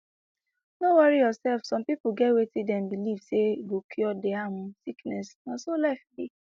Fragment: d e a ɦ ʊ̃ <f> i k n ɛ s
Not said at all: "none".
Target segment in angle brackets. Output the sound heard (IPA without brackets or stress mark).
s